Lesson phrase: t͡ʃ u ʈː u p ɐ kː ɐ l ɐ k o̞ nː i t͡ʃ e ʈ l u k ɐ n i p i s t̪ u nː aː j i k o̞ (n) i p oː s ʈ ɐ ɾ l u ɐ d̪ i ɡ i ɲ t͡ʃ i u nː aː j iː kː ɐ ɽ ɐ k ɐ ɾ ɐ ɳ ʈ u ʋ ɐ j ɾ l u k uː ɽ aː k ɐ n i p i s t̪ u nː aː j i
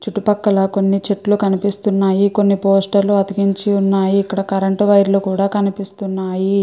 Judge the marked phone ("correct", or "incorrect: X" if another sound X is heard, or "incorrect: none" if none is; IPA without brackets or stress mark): incorrect: nː